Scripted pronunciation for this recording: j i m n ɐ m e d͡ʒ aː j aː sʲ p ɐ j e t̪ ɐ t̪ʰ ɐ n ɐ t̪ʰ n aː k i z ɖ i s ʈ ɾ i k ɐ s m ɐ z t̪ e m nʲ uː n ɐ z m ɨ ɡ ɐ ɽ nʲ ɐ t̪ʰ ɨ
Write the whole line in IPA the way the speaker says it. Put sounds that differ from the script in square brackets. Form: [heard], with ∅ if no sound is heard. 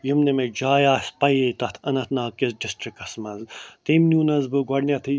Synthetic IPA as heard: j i m n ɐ m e d͡ʒ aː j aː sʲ p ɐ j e t̪ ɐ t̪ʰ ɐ n ɐ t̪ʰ n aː k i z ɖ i s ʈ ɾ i k ɐ s m ɐ z t̪ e m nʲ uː n ɐ z [b] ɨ ɡ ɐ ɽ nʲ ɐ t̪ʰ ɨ